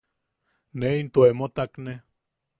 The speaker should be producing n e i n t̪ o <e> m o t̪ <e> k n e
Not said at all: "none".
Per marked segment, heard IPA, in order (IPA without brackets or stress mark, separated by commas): e, a